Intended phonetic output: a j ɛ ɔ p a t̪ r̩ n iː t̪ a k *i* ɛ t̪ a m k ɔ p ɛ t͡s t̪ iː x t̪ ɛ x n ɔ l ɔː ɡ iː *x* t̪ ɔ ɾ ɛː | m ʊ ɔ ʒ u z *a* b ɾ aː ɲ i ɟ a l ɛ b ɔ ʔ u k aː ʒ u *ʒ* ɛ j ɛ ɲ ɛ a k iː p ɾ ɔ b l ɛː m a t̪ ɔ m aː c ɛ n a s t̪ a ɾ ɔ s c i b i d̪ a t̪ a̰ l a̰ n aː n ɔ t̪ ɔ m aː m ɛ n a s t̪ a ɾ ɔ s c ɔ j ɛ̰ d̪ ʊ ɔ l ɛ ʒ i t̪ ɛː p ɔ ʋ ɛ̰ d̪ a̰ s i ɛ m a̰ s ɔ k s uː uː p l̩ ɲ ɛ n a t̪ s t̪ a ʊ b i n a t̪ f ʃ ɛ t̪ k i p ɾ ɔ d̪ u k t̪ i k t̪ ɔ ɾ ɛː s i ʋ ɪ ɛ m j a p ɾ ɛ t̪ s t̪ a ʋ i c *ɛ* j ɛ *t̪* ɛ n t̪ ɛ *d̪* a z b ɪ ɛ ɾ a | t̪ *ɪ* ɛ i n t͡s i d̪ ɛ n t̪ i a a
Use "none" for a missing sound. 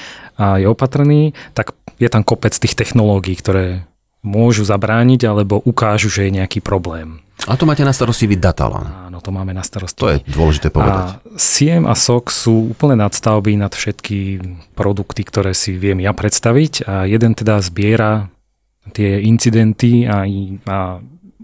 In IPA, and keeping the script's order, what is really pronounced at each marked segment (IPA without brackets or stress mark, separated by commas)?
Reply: j, k, a, ʒ, a, d̪, d̪, ɪ